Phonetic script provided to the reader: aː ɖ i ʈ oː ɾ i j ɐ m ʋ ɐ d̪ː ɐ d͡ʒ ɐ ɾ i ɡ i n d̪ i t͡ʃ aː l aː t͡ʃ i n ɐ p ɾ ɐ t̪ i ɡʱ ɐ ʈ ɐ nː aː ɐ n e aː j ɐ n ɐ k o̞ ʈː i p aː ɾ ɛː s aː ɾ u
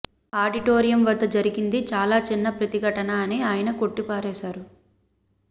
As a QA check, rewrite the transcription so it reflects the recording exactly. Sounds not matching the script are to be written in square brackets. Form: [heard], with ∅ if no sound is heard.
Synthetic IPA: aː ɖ i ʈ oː ɾ i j ɐ m ʋ ɐ d̪ː ɐ d͡ʒ ɐ ɾ i ɡ i n d̪ i t͡ʃ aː l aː t͡ʃ i [nː] ɐ p ɾ ɐ t̪ i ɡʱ ɐ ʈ ɐ [n] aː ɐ n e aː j ɐ n ɐ k o̞ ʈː i p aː ɾ ɛː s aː ɾ u